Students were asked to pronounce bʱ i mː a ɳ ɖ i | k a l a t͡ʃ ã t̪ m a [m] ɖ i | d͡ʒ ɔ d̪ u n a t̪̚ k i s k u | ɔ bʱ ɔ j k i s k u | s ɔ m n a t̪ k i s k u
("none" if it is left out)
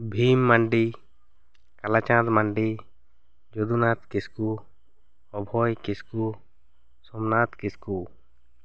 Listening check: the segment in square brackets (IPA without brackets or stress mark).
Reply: ɳ